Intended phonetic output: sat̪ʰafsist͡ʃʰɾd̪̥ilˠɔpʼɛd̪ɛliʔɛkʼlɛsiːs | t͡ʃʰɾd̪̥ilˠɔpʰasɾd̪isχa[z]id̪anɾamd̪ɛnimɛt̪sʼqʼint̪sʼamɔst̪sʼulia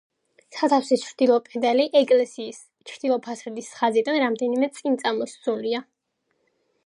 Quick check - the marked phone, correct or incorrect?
correct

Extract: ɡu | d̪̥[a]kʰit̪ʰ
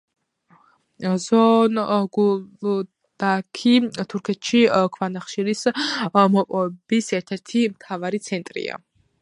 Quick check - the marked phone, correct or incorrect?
correct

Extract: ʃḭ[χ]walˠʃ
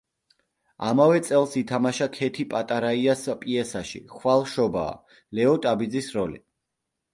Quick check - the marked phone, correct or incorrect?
correct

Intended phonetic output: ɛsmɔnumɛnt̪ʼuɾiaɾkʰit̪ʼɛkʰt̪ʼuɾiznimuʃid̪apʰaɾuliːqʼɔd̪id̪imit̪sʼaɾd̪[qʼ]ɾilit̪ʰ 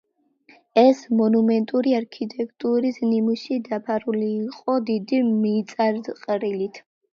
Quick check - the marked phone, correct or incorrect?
correct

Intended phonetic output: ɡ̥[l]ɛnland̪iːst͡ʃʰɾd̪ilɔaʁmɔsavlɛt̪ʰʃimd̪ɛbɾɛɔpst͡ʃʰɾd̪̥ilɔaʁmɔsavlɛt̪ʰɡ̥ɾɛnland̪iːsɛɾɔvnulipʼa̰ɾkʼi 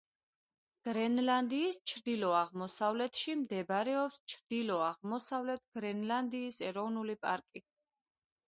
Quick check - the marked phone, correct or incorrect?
incorrect: ɾ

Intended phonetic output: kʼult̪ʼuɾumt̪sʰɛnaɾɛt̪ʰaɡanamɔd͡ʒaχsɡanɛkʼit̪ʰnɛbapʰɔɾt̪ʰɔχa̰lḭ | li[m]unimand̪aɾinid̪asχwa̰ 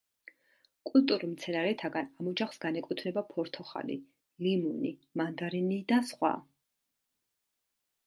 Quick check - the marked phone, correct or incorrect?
correct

